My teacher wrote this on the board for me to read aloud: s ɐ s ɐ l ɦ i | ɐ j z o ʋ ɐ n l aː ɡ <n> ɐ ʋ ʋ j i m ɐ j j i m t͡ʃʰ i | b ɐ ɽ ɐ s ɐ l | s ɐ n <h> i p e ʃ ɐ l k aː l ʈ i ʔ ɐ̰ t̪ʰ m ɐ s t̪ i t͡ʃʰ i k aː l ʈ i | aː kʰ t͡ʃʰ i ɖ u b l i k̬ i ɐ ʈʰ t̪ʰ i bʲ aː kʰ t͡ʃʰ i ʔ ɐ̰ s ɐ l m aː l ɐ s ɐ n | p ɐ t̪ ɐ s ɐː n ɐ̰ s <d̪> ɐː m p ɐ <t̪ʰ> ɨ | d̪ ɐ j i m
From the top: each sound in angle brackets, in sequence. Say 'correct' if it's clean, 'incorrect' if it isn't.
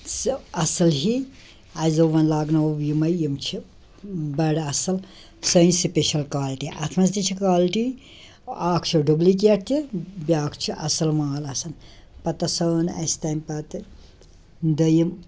correct, incorrect: s, incorrect: t̪, incorrect: t̪

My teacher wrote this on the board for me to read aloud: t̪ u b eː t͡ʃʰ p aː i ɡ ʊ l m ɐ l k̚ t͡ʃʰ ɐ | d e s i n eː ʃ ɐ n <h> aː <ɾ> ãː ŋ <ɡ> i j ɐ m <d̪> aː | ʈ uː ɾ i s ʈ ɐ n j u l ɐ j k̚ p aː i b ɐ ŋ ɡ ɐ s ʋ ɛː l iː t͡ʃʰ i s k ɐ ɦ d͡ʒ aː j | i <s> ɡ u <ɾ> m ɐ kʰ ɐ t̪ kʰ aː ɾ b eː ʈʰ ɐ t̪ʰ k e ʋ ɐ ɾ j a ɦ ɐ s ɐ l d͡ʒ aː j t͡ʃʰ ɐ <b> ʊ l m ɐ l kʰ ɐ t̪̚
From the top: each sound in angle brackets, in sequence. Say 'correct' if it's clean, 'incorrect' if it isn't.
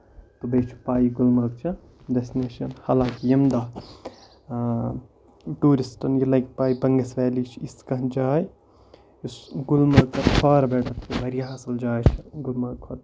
correct, incorrect: l, incorrect: k, correct, correct, incorrect: l, incorrect: ɡ

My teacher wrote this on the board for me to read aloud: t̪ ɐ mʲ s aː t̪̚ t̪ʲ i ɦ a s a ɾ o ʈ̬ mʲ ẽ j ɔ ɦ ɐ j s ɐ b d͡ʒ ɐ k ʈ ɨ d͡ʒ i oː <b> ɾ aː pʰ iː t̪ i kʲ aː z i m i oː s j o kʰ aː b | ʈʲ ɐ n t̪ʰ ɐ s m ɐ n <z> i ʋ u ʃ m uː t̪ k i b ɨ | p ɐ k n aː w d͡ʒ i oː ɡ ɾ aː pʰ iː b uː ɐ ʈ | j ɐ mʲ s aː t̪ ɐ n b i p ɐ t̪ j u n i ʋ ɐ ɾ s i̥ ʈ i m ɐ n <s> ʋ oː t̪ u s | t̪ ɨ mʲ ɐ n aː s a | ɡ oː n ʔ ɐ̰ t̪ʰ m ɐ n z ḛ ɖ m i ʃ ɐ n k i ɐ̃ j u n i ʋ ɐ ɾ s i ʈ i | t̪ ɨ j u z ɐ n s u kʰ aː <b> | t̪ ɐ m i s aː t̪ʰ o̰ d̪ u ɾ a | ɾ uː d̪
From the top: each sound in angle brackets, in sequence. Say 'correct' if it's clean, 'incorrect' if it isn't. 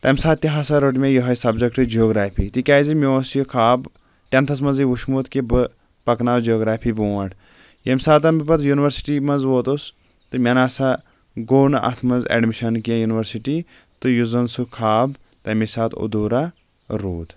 incorrect: ɡ, correct, incorrect: z, correct

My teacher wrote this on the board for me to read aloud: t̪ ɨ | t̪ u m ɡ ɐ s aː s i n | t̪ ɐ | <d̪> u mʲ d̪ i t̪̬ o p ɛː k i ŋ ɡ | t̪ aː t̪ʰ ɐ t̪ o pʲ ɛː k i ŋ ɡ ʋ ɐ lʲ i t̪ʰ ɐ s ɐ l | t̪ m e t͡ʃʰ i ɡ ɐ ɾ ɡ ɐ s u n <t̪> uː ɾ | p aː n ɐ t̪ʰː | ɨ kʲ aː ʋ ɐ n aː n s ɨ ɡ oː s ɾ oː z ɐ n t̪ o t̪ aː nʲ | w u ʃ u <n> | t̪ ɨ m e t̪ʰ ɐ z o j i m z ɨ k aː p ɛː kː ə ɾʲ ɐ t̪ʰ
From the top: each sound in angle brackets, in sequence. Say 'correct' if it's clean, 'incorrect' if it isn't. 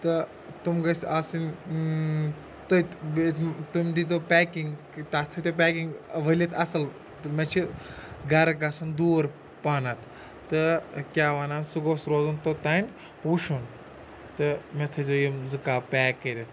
incorrect: t̪, incorrect: d̪, correct

